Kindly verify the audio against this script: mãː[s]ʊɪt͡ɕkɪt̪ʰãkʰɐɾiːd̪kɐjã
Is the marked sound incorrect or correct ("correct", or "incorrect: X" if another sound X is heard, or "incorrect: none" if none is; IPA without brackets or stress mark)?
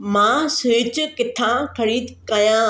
correct